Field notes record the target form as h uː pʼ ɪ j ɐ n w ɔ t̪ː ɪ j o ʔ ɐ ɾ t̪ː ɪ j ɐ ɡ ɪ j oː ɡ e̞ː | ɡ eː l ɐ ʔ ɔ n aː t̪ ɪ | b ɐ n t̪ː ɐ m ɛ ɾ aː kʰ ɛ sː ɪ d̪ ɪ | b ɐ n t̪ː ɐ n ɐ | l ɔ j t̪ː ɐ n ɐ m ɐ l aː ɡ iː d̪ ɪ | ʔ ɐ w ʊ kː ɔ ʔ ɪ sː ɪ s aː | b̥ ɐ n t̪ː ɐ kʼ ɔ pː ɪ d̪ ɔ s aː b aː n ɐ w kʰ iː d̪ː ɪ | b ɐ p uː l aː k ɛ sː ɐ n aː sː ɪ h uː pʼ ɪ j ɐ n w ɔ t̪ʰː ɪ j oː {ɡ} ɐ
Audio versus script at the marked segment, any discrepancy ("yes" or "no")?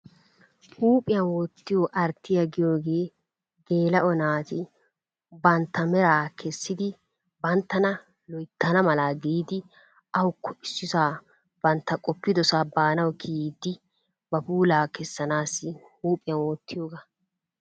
no